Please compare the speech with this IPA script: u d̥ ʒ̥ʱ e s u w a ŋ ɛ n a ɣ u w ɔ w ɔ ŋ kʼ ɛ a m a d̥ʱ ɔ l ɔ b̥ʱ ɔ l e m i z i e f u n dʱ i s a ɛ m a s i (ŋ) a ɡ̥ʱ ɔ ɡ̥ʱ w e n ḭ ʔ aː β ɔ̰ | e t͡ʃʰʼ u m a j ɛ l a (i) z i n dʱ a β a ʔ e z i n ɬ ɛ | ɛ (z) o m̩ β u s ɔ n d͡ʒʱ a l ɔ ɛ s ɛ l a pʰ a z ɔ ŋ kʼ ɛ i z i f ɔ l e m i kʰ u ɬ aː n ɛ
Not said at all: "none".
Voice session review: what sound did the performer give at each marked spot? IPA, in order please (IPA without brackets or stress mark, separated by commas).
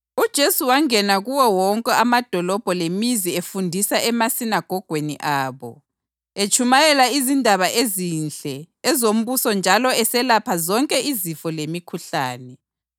n, i, z